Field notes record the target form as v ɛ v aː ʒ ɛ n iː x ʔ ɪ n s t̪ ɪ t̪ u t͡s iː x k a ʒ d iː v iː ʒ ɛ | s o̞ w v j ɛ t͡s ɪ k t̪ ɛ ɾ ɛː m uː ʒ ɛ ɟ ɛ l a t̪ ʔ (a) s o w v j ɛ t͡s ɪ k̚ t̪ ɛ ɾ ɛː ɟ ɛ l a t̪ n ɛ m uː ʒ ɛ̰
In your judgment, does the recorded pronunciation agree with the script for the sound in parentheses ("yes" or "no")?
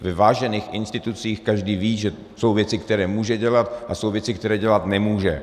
yes